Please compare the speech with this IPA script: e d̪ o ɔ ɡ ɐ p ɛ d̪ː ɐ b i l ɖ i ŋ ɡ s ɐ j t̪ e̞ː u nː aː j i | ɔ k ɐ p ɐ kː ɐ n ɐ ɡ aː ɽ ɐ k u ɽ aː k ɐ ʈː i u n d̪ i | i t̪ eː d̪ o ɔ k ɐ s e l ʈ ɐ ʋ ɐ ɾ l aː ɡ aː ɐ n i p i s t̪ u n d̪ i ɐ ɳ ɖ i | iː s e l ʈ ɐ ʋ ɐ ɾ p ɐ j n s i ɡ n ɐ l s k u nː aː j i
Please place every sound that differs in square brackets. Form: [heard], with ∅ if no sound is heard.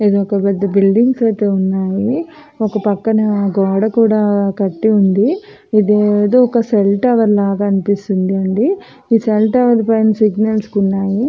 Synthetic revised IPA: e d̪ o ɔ [k] ɐ p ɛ d̪ː ɐ b i l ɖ i ŋ ɡ s ɐ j t̪ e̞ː u nː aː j i | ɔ k ɐ p ɐ kː ɐ n ɐ ɡ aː ɽ ɐ k [uː] ɽ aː k ɐ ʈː i u n d̪ i | i [d̪] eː d̪ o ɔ k ɐ s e l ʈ ɐ ʋ ɐ ɾ l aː ɡ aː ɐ n i p i s t̪ u n d̪ i ɐ ɳ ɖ i | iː s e l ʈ ɐ ʋ ɐ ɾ p ɐ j n s i ɡ n ɐ l s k u nː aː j i